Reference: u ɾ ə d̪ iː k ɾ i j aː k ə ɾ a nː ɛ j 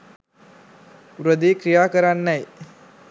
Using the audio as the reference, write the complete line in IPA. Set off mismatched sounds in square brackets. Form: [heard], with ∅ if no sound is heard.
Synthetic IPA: u ɾ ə d̪ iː k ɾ i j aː k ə ɾ a nː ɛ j